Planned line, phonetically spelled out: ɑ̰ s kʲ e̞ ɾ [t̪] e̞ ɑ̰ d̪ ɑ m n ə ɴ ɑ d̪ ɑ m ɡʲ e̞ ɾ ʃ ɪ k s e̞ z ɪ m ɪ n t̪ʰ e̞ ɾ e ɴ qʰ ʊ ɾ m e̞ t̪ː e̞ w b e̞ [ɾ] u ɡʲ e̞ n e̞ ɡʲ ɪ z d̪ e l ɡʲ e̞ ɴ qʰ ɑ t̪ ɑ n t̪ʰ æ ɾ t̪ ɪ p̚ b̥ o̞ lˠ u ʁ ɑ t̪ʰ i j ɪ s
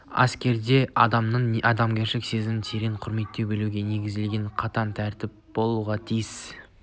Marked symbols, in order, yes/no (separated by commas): no, no